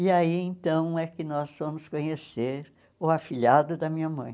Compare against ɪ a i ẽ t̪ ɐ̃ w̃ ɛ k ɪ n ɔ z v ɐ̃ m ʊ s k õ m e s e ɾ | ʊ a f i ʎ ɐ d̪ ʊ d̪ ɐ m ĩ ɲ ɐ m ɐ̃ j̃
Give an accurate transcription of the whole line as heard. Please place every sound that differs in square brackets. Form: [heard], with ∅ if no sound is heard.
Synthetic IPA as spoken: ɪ a i ẽ t̪ ɐ̃ w̃ ɛ k ɪ n ɔ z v ɐ̃ m ʊ s k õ [ɲ] e s e ɾ | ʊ a f i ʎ [a] d̪ ʊ d̪ ɐ m ĩ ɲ ɐ m ɐ̃ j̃